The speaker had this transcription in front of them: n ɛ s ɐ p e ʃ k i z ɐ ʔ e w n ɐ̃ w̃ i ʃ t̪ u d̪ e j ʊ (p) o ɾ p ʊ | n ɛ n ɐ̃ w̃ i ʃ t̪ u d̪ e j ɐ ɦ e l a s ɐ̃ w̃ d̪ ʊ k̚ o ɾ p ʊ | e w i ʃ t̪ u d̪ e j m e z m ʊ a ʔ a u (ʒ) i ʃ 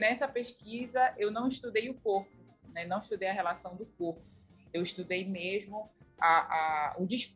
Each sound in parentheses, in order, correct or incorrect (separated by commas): incorrect, incorrect